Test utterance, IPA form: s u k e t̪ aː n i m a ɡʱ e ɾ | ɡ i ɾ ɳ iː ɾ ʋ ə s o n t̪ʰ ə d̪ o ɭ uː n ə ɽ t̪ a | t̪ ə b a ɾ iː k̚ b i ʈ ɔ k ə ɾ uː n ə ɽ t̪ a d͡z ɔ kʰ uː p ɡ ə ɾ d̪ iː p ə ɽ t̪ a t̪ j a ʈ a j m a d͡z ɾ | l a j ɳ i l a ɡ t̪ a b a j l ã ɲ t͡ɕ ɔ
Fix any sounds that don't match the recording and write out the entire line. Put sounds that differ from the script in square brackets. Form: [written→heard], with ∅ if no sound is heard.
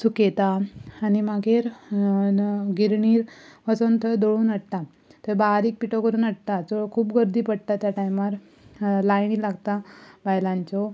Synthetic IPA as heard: s u k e t̪ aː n i m a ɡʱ e ɾ | ɡ i ɾ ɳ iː ɾ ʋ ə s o n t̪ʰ ə d̪ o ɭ uː n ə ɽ t̪ a | t̪ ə b a ɾ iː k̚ [b→p] i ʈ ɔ k ə ɾ uː n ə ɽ t̪ a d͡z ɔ kʰ uː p ɡ ə ɾ d̪ iː p ə ɽ t̪ a t̪ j a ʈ a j m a [d͡z→∅] ɾ | l a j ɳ i l a ɡ t̪ a b a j l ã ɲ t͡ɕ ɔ

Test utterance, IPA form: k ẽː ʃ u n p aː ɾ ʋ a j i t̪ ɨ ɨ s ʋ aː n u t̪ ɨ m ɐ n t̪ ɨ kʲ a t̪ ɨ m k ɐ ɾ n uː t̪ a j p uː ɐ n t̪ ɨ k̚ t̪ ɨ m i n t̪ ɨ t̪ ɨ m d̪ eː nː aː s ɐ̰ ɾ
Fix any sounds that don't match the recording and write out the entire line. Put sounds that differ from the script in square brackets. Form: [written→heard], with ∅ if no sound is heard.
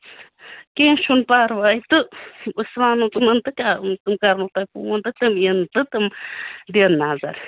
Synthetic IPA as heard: k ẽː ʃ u n p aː ɾ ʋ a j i t̪ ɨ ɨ s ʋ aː n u t̪ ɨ m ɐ n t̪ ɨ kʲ a t̪ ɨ m k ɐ ɾ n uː t̪ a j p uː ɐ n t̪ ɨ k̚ t̪ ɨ m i n t̪ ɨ t̪ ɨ m d̪ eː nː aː [s→z] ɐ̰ ɾ

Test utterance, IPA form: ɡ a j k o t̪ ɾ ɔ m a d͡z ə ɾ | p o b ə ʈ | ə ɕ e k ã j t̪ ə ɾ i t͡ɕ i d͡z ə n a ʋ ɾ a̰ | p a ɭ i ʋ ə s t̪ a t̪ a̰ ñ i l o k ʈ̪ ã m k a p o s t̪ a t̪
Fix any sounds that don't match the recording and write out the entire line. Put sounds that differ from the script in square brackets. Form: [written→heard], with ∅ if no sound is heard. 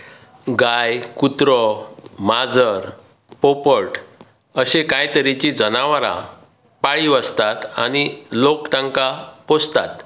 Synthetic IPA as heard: ɡ a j k [o→u] t̪ ɾ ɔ m a d͡z ə ɾ | p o [b→p] ə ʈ | ə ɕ e k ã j t̪ ə ɾ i t͡ɕ i d͡z ə n a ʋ ɾ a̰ | p a ɭ i ʋ ə s t̪ a t̪ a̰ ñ i l o k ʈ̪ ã [m→ŋ] k a p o s t̪ a t̪

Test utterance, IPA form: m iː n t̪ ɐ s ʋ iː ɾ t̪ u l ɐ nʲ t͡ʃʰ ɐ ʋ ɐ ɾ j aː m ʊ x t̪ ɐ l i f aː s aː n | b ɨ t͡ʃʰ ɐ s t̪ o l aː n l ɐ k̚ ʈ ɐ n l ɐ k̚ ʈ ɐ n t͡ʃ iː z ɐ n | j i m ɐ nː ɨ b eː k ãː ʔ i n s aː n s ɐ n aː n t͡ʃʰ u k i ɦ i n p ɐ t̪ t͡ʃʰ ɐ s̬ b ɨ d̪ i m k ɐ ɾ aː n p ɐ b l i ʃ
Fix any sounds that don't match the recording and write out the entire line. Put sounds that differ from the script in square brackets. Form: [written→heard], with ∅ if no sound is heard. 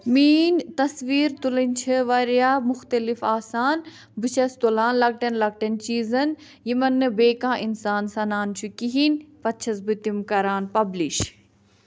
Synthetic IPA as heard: m iː n t̪ ɐ s ʋ iː ɾ t̪ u l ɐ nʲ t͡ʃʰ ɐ ʋ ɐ ɾ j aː m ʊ x t̪ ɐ l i f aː s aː n | b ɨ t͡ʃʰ ɐ s t̪ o l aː n l ɐ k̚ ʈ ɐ n l ɐ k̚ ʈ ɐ n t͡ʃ iː z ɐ n | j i m ɐ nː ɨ b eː k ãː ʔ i n s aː n s ɐ n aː n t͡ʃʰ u k i ɦ i n p ɐ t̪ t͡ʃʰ ɐ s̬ b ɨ [d̪→t̪] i m k ɐ ɾ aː n p ɐ b l i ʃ

